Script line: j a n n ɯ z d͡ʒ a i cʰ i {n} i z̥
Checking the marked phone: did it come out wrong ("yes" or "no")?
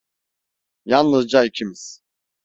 yes